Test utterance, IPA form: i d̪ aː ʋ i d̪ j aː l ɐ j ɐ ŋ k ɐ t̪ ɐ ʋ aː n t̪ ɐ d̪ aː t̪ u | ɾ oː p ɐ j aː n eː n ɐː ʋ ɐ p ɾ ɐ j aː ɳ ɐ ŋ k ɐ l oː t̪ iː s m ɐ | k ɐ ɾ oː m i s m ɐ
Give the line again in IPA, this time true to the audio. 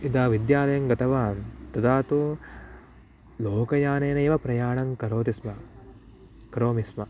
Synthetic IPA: i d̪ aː ʋ i d̪ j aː l ɐ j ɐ ŋ ɡ ɐ t̪ ɐ ʋ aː n t̪ ɐ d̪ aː t̪ u | l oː k ɐ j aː n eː n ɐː ʋ ɐ p ɾ ɐ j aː ɳ ɐ ŋ k ɐ ɾ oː t̪ i s m ɐ | k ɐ ɾ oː m i s m ɐ